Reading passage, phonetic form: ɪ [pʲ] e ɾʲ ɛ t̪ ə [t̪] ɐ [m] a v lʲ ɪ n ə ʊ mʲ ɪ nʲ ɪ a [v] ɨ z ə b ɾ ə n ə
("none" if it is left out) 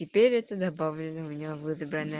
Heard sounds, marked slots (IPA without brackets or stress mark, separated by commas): pʲ, d̪, b, v